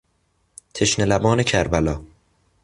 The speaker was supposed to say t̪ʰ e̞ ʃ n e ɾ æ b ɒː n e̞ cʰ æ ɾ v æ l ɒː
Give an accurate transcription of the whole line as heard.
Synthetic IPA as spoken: t̪ʰ e̞ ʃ n e l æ b ɒː n e̞ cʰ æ ɾ b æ l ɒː

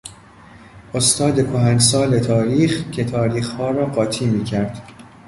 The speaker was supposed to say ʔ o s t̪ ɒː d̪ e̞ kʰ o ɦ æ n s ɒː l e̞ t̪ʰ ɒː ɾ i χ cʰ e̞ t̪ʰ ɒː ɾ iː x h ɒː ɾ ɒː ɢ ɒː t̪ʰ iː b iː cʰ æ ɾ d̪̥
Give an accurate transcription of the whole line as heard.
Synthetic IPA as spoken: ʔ o s t̪ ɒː d̪ e̞ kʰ o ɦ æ n s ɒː l e̞ t̪ʰ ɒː ɾ iː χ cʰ e̞ t̪ʰ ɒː ɾ iː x h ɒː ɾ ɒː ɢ ɒː t̪ʰ iː m iː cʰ æ ɾ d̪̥

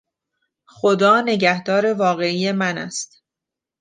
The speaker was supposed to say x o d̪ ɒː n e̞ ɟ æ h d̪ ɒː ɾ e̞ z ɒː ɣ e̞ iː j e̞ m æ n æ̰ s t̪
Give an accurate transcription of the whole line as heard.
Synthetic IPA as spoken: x o d̪ ɒː n e̞ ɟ æ h d̪ ɒː ɾ e̞ v ɒː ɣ e̞ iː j e̞ m æ n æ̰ s t̪

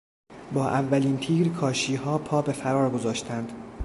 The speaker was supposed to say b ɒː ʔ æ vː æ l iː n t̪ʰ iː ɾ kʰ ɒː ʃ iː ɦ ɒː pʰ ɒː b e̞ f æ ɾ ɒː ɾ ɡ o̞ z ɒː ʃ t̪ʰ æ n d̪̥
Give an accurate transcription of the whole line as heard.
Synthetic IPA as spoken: b ɒː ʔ æ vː æ l iː n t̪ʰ iː ɾ kʰ ɒː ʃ iː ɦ ɒː pʰ ɒː b e̞ f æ ɾ ɒː ɾ ɡ o̞ z ɒː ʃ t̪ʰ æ n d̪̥

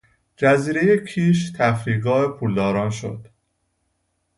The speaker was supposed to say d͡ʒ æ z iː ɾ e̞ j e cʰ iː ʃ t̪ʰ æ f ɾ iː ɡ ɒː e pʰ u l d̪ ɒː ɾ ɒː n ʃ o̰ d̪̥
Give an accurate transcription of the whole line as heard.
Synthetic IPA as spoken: d͡ʒ æ z iː ɾ e̞ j e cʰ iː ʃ t̪ʰ æ f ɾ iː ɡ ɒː e pʰ u l d̪ ɒː ɾ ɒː n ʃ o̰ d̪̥

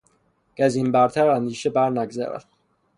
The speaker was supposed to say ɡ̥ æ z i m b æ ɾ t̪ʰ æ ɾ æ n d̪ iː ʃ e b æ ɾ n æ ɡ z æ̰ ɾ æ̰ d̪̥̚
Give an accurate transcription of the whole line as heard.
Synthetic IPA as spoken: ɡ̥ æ z i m b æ ɾ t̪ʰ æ ɾ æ n d̪ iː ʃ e b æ ɾ n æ ɡ z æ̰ ɾ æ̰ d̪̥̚

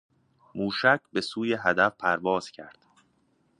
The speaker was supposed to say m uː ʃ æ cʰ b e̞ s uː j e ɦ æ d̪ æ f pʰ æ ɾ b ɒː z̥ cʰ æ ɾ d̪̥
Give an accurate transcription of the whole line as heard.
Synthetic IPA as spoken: m uː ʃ æ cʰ b e̞ s uː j e ɦ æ d̪ æ f pʰ æ ɾ v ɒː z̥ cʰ æ ɾ d̪̥

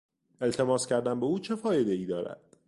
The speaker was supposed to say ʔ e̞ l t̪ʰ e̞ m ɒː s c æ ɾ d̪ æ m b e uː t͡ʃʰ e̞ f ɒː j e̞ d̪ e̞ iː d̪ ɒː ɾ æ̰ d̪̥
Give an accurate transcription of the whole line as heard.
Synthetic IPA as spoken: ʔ e̞ l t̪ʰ e̞ m ɒː s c æ ɾ d̪ æ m b e uː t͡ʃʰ e̞ f ɒː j e̞ d̪ e̞ iː d̪ ɒː ɾ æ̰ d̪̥

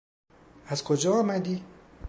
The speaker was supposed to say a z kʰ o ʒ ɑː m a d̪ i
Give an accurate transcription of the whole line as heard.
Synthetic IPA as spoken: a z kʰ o d͡ʒ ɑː m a d̪ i

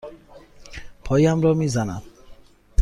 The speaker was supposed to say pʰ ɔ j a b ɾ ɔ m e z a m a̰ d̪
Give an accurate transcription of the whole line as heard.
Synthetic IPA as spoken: pʰ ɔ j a m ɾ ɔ m i z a n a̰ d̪

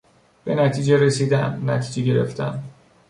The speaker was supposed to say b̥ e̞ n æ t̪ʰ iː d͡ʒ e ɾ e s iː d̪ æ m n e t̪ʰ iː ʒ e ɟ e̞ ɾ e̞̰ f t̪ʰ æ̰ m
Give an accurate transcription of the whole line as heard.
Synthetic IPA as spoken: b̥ e̞ n æ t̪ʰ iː d͡ʒ e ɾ e s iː d̪ æ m n æ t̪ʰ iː d͡ʒ e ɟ e̞ ɾ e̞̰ f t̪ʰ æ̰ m

